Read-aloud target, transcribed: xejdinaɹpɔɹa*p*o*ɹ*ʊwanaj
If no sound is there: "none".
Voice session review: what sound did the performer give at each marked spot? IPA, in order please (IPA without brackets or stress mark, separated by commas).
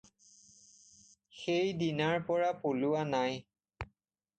p, l